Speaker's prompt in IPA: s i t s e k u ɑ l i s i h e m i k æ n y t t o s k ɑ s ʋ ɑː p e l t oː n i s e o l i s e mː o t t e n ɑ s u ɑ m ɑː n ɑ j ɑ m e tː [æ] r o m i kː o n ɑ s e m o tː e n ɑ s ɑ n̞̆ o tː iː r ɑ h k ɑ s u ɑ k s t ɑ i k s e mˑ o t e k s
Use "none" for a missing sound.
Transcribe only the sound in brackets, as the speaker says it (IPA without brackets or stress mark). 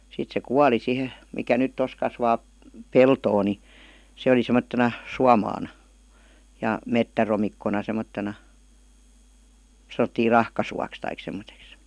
æ